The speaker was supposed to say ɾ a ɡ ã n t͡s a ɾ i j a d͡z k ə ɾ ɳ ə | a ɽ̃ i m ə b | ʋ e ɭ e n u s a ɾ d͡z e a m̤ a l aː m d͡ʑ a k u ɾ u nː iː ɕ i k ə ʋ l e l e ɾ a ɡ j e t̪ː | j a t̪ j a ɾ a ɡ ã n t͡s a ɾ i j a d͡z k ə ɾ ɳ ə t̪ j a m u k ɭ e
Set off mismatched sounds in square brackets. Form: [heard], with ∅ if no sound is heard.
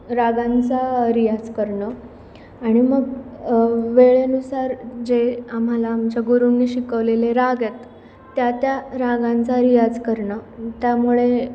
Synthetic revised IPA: ɾ a ɡ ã n t͡s a ɾ i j a d͡z k ə ɾ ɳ ə | a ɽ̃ i m ə [ɡ] | ʋ e ɭ e n u s a ɾ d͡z e a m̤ a l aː m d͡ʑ a [ɡ] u ɾ u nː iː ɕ i k ə ʋ l e l e ɾ a ɡ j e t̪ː | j a t̪ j a ɾ a ɡ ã n t͡s a ɾ i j a d͡z k ə ɾ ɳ ə t̪ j a m u [∅] ɭ e